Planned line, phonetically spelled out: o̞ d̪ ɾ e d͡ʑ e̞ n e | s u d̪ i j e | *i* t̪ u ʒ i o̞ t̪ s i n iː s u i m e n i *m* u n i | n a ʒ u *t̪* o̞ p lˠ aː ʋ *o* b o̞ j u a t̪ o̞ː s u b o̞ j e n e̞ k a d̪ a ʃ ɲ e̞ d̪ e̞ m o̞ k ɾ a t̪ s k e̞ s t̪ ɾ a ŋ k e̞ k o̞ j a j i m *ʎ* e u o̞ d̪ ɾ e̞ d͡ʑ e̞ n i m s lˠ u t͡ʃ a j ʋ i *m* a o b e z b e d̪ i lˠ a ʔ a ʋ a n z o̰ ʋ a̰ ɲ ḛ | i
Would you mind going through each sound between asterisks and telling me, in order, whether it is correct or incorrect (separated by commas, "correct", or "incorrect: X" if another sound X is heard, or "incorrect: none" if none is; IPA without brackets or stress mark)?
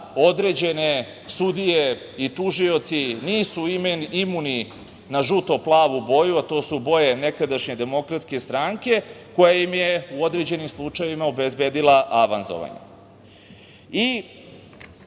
correct, correct, correct, incorrect: u, incorrect: j, correct